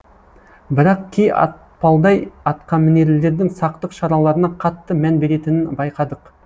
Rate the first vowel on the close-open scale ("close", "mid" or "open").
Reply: close